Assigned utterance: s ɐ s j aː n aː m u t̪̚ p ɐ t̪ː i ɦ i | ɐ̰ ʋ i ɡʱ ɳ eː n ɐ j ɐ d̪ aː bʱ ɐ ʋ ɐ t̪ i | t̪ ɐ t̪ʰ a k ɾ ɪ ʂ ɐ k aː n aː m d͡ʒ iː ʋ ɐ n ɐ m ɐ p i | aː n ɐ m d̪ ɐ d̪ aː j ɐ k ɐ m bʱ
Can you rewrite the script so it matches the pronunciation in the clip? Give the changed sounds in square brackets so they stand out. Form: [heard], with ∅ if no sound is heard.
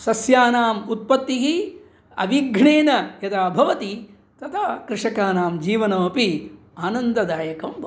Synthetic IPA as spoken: s ɐ s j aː n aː m u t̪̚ p ɐ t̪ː i ɦ i | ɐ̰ ʋ i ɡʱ ɳ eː n ɐ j ɐ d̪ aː bʱ ɐ ʋ ɐ t̪ i | t̪ ɐ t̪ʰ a k ɾ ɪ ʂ ɐ k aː n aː m d͡ʒ iː ʋ ɐ n ɐ m ɐ p i | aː n ɐ [n] d̪ ɐ d̪ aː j ɐ k ɐ m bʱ